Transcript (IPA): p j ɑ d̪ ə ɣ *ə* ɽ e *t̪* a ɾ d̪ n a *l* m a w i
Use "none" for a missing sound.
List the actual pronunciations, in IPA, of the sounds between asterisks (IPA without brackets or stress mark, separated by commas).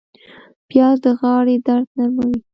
ɑ, d̪, ɾ